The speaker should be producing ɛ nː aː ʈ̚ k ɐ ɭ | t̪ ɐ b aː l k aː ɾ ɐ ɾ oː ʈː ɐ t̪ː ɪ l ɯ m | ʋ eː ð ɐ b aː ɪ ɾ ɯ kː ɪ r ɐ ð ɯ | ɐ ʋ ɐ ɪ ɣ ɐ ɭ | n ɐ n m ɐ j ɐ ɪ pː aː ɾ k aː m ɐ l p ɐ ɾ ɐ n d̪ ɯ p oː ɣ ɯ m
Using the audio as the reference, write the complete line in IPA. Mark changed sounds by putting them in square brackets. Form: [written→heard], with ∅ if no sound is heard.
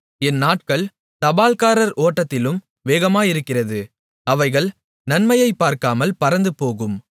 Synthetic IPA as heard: ɛ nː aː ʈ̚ k ɐ ɭ | t̪ ɐ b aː l k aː ɾ ɐ ɾ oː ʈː ɐ t̪ː ɪ l ɯ m | ʋ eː [ð→ɣ] ɐ [b→m] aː ɪ ɾ ɯ kː ɪ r ɐ ð ɯ | ɐ ʋ ɐ ɪ ɣ ɐ ɭ | n ɐ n m ɐ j ɐ ɪ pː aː ɾ k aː m ɐ l p ɐ ɾ ɐ n d̪ ɯ p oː ɣ ɯ m